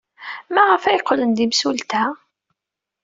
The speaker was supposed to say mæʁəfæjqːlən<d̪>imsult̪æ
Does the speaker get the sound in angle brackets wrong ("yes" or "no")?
no